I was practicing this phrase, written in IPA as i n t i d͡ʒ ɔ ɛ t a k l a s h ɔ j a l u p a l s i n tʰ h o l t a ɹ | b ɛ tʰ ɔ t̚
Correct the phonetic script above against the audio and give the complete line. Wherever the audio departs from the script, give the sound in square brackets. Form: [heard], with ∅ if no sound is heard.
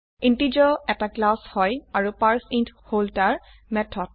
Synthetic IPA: i n t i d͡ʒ ɔ ɛ t a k l a s h ɔ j a [ɹ] u p a [ɹ] s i n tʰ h o l t a ɹ | [m] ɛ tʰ ɔ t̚